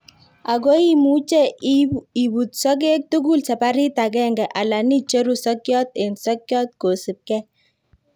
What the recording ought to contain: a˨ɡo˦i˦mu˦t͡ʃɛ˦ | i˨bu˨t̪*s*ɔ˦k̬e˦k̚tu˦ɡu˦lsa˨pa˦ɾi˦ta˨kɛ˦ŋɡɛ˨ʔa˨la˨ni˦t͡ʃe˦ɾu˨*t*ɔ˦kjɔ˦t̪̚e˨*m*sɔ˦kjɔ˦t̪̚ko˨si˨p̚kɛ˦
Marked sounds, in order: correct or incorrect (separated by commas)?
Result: correct, incorrect, incorrect